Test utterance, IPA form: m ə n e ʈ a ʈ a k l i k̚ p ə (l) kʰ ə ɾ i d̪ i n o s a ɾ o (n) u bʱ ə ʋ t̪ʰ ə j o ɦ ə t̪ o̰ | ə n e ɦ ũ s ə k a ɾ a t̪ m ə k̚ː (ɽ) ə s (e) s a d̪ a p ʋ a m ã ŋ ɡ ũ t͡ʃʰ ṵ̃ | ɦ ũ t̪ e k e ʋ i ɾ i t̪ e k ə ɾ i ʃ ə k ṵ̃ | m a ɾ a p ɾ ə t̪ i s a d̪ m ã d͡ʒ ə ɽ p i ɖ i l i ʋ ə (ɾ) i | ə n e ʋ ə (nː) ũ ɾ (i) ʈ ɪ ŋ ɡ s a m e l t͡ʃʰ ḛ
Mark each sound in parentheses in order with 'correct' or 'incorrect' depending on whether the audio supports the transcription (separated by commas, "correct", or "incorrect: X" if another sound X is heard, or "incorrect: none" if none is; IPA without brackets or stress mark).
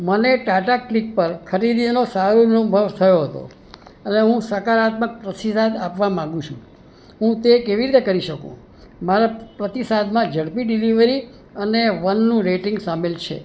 incorrect: ɾ, correct, incorrect: ɾ, incorrect: i, correct, correct, incorrect: e